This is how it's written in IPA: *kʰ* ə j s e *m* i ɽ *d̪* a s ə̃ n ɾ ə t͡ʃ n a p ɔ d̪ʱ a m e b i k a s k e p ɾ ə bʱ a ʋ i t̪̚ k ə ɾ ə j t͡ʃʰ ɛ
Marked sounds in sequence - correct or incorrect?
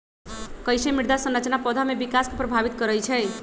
incorrect, correct, correct

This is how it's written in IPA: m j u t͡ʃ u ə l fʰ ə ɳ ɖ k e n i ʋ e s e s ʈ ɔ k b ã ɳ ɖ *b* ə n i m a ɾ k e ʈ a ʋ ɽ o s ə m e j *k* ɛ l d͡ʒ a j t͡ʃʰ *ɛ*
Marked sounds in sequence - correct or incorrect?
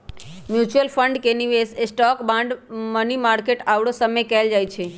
incorrect, correct, incorrect

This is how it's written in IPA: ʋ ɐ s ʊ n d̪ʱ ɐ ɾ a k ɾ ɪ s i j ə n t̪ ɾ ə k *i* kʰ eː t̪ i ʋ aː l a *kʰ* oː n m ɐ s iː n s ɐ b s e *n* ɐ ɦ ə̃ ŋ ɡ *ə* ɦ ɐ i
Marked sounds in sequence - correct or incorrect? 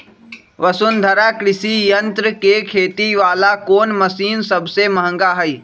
incorrect, incorrect, incorrect, incorrect

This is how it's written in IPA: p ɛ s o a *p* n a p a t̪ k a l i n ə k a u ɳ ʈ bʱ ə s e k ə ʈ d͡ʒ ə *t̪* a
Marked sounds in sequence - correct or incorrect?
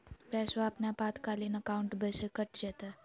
correct, correct

